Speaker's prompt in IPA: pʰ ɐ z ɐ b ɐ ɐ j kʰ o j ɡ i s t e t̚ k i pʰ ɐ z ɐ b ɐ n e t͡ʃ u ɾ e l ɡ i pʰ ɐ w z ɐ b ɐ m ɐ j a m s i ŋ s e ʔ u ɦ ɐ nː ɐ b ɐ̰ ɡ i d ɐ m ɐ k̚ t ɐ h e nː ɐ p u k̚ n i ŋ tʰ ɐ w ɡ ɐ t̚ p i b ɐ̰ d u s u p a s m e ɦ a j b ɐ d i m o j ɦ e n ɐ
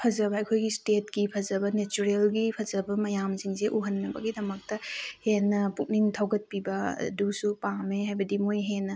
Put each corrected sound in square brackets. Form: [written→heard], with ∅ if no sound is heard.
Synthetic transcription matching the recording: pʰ ɐ z ɐ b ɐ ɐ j kʰ o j ɡ i s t e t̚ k i pʰ ɐ z ɐ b ɐ n e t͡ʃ u ɾ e l ɡ i pʰ ɐ [w→∅] z ɐ b ɐ m ɐ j a m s i ŋ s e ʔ u ɦ ɐ nː ɐ b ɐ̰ ɡ i d ɐ m ɐ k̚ t ɐ h e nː ɐ p u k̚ n i ŋ tʰ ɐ w ɡ ɐ t̚ p i b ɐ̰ d u s u p a [s→∅] m e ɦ a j b ɐ d i m o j ɦ e n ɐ